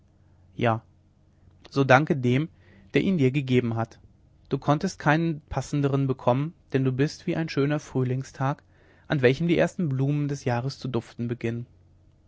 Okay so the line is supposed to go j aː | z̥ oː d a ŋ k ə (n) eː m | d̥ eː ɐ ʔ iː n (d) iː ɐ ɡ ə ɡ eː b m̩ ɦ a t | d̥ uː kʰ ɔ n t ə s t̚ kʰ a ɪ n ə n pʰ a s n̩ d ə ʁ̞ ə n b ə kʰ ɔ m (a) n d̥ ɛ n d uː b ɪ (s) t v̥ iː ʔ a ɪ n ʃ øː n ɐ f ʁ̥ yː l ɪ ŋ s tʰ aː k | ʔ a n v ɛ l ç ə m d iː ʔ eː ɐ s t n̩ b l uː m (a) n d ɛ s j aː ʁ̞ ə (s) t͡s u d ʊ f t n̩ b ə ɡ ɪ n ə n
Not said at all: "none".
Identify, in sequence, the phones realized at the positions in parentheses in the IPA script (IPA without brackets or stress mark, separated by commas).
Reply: d, d, ə, s, ə, s